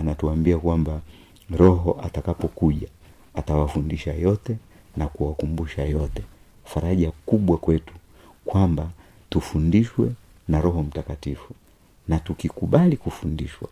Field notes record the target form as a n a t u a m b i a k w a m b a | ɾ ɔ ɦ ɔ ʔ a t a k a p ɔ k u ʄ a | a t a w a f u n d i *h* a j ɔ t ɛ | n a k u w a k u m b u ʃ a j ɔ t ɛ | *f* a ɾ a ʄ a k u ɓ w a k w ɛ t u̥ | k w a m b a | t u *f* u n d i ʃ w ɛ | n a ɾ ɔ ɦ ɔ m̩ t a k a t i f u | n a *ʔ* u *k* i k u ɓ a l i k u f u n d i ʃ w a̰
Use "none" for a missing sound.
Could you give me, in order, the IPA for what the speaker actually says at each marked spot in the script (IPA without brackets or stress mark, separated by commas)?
ʃ, f, f, t, k